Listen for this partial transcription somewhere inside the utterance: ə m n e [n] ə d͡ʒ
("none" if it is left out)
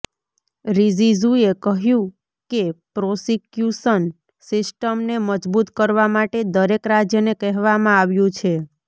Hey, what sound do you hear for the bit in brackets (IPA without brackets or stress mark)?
m